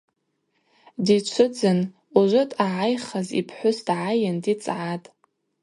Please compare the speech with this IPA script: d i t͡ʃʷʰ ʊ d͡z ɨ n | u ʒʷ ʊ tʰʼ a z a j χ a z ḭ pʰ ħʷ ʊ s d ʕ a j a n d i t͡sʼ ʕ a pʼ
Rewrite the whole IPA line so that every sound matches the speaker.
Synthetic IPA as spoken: d i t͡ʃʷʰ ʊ d͡z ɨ n | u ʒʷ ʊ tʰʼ a ʕ a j χ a z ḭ pʰ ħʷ ʊ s d ʕ a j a n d i t͡sʼ ʕ a tʼ